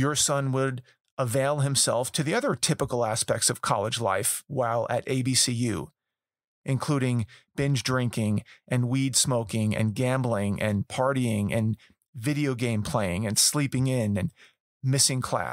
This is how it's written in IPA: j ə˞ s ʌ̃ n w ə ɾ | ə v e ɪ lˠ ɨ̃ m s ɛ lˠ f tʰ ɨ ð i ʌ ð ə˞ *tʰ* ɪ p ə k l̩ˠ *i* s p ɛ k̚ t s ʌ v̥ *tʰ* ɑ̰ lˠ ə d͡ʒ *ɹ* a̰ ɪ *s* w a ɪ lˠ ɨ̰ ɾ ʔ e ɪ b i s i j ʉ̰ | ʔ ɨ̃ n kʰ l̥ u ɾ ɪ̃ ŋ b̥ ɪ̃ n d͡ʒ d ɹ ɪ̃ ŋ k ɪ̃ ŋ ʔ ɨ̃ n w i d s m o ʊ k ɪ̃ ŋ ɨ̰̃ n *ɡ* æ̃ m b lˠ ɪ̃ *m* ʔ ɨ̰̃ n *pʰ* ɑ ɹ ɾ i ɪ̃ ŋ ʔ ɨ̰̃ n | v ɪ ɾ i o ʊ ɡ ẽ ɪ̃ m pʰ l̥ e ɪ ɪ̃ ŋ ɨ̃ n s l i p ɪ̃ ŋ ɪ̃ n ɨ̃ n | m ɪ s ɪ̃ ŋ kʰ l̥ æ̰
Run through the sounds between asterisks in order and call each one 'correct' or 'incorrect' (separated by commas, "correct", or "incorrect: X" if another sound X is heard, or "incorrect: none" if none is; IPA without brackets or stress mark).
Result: correct, incorrect: æ, incorrect: kʰ, incorrect: l, incorrect: f, correct, incorrect: ŋ, correct